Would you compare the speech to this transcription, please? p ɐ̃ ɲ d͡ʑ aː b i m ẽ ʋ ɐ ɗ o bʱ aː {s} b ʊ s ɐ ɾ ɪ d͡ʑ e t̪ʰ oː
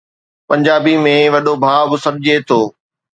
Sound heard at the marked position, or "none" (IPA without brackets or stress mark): none